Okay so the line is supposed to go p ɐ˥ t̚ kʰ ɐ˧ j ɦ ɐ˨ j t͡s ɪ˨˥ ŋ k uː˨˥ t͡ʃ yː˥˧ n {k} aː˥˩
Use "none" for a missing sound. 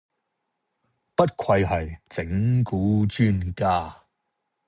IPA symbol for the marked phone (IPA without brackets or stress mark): k